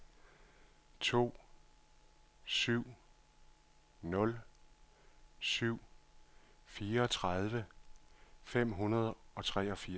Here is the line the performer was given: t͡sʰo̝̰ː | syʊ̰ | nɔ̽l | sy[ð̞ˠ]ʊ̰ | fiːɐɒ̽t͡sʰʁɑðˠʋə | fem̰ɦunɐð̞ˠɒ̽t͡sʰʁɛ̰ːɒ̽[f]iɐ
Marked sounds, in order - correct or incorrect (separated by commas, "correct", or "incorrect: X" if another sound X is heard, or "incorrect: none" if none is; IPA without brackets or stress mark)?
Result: incorrect: none, correct